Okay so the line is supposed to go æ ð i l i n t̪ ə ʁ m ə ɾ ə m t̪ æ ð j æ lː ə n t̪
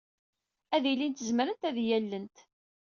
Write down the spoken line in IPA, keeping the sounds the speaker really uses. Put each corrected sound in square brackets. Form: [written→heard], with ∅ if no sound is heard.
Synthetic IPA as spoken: æ ð i l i n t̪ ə [ʁ→z] m ə ɾ ə [m→n] t̪ æ ð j æ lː ə n t̪